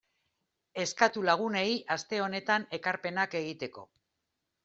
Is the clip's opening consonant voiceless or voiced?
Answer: voiceless